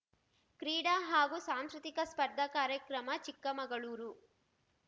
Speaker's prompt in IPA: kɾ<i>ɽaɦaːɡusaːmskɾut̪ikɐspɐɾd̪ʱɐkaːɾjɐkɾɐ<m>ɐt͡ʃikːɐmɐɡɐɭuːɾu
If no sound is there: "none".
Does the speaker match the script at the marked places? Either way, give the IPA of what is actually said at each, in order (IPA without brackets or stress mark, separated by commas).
iː, m